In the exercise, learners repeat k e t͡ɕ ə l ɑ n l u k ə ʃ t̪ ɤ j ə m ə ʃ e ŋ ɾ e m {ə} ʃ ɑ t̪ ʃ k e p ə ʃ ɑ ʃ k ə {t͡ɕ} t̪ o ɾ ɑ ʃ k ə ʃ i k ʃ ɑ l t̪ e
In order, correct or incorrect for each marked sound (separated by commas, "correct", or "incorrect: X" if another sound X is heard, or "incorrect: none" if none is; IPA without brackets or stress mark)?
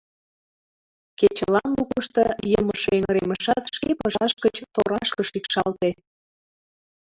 correct, correct